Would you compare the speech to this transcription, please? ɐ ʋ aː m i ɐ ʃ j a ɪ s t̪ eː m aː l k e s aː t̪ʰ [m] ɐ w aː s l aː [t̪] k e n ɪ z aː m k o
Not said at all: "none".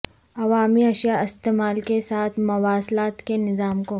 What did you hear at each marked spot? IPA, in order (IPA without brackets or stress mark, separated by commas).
m, t̪